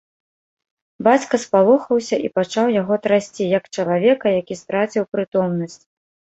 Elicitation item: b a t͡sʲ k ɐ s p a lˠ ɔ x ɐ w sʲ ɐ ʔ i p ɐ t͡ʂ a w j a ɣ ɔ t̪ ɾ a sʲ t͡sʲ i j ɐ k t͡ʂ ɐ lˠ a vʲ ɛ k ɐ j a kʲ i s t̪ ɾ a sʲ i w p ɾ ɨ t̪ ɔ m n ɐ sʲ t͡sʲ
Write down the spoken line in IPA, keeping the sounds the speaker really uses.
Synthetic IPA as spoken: b a t͡sʲ k ɐ s p a lˠ ɔ x ɐ w sʲ ɐ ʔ i p a t͡ʂ a w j a ɣ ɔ t̪ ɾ a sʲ t͡sʲ i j ɐ k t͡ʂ ɐ lˠ a vʲ ɛ k ɐ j a kʲ i s t̪ ɾ a t͡sʲ i w p ɾ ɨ t̪ ɔ m n ɐ sʲ t͡sʲ